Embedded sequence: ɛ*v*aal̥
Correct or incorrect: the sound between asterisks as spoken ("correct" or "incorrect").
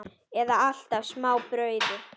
incorrect